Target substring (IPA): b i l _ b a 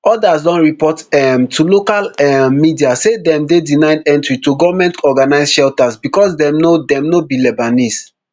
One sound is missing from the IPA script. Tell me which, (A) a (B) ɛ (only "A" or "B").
B